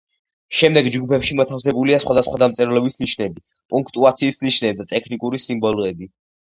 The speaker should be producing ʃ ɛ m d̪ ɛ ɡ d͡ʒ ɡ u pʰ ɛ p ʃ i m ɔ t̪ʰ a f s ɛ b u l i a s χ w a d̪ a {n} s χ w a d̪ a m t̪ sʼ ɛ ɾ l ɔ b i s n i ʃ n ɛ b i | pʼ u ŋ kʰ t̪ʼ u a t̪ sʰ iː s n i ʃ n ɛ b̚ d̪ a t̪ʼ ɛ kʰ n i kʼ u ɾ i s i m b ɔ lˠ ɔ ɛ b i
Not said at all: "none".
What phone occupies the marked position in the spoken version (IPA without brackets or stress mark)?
none